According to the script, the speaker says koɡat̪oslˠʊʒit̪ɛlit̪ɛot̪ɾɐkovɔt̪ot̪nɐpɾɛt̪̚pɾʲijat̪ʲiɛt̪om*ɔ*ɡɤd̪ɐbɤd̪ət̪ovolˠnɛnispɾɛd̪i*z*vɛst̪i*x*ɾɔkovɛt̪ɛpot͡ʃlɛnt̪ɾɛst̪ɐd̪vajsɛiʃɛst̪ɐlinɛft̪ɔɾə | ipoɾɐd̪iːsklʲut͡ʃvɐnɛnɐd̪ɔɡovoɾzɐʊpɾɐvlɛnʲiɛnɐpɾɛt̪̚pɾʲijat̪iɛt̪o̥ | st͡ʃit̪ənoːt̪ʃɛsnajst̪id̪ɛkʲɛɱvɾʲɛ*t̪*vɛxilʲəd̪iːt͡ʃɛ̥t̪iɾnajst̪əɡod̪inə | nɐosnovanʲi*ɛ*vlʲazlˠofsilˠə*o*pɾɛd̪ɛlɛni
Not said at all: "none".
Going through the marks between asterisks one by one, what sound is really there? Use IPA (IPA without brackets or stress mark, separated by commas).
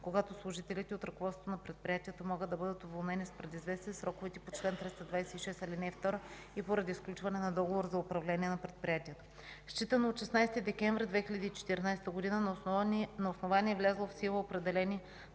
ɔ, z, s, d̪, ɛ, o